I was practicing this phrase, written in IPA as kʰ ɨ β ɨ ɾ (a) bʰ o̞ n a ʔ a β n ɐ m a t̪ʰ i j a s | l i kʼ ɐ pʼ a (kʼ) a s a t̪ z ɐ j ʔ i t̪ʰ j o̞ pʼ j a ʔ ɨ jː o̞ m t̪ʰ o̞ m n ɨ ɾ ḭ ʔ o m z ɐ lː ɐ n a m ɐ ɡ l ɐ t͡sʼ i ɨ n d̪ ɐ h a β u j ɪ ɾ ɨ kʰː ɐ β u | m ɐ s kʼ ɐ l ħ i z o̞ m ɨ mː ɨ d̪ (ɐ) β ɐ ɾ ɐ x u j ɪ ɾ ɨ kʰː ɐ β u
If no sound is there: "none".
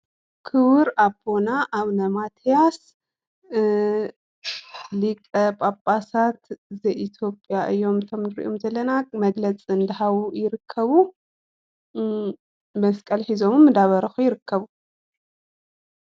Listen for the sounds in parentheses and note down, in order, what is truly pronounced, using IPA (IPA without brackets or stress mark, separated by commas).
a, pʼ, a